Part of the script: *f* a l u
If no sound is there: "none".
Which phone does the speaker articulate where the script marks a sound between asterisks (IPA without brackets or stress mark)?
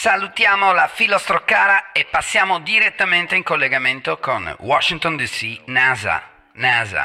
s